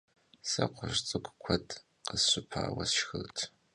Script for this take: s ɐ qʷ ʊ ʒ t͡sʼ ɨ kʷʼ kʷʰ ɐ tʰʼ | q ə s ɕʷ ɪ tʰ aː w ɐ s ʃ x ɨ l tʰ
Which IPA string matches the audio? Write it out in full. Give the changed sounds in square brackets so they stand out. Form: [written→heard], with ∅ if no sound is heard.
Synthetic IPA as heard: s ɐ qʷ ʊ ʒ t͡sʼ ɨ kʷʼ kʷʰ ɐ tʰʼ | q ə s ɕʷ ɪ [tʰ→pʰ] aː w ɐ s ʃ x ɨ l tʰ